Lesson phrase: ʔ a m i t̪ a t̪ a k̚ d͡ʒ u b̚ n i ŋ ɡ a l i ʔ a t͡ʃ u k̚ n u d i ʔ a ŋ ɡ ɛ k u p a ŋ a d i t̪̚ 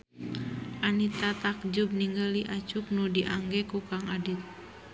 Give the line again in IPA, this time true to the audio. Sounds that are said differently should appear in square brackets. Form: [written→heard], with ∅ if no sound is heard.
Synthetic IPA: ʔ a [m→n] i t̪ a t̪ a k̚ d͡ʒ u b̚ n i ŋ ɡ a l i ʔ a t͡ʃ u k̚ n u d i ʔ a ŋ ɡ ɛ k u [p→k] a ŋ a d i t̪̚